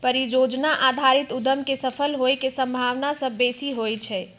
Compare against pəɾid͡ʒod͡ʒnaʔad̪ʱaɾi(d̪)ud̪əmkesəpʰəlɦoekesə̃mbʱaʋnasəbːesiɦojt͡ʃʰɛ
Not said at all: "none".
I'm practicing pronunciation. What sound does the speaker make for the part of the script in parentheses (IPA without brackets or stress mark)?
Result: t̪